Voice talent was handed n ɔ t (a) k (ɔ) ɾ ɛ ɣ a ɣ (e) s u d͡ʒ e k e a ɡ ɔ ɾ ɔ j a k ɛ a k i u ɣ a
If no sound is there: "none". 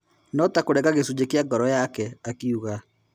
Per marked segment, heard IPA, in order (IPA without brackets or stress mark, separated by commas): a, o, e